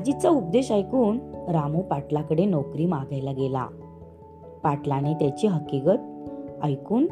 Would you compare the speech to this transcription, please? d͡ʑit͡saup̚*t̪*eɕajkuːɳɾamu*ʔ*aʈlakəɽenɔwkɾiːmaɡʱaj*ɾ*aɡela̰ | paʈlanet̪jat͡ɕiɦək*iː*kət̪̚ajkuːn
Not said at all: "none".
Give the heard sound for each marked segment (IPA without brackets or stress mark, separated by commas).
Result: d̪, p, l, i